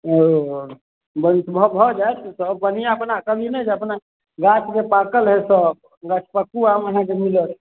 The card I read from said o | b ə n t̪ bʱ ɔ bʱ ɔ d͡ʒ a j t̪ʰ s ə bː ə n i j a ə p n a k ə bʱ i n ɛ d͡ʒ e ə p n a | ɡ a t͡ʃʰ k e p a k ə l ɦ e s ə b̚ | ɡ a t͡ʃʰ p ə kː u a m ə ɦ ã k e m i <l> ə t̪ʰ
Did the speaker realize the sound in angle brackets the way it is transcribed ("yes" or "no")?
yes